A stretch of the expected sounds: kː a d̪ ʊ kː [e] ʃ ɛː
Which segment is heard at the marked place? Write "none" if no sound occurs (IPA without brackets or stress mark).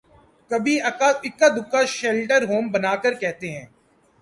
a